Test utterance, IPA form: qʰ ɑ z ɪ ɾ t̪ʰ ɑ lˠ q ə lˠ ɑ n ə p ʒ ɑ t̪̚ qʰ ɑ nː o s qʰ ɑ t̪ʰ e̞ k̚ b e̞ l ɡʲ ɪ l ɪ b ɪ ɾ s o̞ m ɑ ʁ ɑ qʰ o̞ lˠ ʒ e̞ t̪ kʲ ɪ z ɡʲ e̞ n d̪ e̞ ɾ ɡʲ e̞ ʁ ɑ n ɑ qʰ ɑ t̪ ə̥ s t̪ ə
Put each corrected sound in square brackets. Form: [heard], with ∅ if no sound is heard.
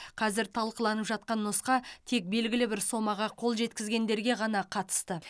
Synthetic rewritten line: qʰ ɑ z ɪ ɾ t̪ʰ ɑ lˠ q ə lˠ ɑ n ə p ʒ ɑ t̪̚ [q] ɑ nː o s [q] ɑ t̪ʰ e̞ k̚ b e̞ l ɡʲ ɪ l ɪ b ɪ ɾ s o̞ m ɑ ʁ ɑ qʰ o̞ lˠ ʒ e̞ t̪ kʲ ɪ z ɡʲ e̞ n d̪ e̞ ɾ ɡʲ e̞ ʁ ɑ n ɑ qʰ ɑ t̪ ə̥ s t̪ ə